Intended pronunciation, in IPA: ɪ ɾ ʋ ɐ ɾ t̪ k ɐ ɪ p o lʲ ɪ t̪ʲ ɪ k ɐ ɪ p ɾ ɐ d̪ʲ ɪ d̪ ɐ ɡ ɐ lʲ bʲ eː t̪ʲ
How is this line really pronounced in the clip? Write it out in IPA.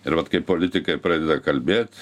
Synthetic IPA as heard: ɪ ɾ ʋ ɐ t̪ k ɐ ɪ p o lʲ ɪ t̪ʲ ɪ k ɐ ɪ p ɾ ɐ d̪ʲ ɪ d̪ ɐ k ɐ lʲ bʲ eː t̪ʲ